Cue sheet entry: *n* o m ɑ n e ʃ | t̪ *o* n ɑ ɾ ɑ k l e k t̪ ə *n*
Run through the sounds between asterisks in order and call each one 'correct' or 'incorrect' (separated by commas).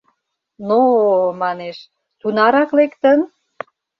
correct, incorrect, correct